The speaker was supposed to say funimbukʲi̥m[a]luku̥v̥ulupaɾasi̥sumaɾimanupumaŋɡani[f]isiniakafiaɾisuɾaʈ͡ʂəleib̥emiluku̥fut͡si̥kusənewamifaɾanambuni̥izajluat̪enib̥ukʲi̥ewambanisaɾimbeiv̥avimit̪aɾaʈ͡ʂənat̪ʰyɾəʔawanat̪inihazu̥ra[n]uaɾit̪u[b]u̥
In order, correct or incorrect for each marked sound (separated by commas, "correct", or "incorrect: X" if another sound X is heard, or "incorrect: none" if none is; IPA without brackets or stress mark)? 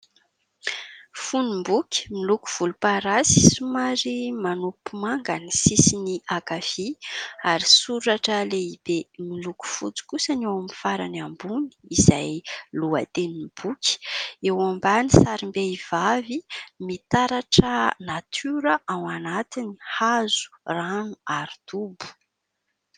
incorrect: i, incorrect: s, correct, correct